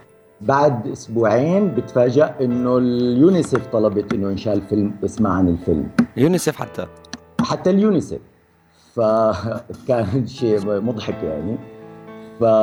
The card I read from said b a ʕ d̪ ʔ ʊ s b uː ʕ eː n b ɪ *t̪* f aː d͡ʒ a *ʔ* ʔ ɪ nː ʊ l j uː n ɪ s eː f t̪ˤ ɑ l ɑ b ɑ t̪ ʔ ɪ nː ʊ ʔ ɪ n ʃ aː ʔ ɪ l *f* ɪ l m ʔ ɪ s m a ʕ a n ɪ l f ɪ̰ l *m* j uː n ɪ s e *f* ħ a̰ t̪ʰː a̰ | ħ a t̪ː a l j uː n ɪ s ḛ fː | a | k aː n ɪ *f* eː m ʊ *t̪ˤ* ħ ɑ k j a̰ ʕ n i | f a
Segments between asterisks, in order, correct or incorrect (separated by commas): correct, correct, correct, correct, correct, incorrect, incorrect